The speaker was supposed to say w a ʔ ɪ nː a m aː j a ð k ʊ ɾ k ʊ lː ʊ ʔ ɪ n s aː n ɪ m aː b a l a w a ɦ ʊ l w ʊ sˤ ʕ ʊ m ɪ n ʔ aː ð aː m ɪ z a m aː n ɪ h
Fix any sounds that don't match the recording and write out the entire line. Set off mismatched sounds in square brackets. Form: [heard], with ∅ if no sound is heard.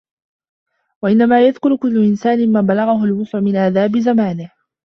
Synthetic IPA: w a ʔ ɪ nː a m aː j a ð k ʊ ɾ k ʊ lː ʊ ʔ ɪ n s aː n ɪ m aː b a l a [ɣ] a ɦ ʊ l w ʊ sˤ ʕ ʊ m ɪ n ʔ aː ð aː [b] ɪ z a m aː n ɪ h